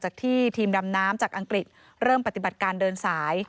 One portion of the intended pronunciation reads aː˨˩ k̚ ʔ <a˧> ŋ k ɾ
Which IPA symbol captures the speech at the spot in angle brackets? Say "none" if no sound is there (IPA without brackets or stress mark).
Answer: a˧